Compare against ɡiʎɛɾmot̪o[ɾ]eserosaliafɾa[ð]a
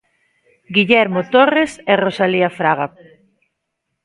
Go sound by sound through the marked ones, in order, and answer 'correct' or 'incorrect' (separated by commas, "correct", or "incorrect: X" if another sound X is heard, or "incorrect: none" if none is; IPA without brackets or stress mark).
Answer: incorrect: r, incorrect: ɣ